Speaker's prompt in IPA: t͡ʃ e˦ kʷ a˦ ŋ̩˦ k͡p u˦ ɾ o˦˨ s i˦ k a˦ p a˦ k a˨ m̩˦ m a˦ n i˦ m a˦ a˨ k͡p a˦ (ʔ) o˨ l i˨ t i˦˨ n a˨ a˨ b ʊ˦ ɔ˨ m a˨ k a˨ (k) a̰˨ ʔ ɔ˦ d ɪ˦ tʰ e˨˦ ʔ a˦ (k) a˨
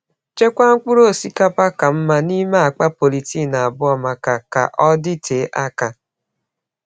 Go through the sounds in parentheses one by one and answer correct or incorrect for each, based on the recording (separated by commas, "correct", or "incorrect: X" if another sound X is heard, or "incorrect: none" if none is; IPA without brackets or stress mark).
incorrect: p, correct, correct